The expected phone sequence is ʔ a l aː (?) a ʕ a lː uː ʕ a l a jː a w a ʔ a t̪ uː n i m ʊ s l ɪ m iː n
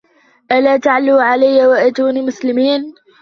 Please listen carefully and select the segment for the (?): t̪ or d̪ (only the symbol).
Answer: t̪